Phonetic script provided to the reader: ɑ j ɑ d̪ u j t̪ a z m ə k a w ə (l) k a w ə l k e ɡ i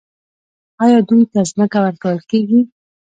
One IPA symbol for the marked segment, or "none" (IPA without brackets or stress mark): ɾ